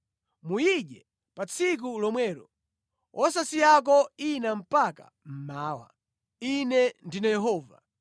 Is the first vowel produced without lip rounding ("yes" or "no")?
no